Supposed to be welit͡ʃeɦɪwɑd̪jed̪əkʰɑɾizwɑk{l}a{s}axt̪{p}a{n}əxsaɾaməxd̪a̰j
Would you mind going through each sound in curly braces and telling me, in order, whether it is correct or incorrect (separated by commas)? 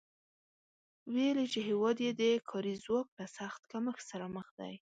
correct, correct, incorrect, incorrect